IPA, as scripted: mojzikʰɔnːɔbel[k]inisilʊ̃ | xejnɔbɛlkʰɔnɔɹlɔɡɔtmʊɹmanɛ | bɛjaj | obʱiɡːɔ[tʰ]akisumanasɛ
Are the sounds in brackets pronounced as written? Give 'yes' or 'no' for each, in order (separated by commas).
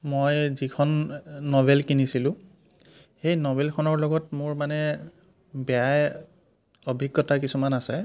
yes, no